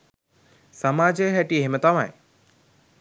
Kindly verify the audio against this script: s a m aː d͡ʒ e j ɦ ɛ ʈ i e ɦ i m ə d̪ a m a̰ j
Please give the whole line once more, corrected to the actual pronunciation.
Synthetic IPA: s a m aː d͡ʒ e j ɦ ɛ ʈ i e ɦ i m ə t̪ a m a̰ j